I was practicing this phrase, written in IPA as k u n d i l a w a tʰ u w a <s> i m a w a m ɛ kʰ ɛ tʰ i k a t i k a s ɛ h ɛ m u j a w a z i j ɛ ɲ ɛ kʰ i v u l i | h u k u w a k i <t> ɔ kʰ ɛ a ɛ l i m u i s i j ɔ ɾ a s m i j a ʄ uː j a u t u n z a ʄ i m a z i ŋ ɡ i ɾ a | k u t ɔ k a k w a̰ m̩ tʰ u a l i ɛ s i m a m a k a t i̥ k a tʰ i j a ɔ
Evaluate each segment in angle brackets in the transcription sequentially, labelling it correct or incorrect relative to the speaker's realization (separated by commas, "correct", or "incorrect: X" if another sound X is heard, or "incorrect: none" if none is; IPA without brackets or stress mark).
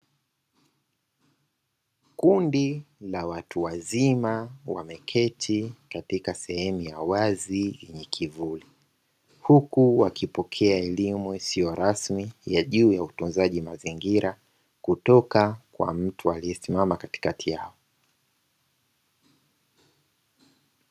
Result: incorrect: z, incorrect: p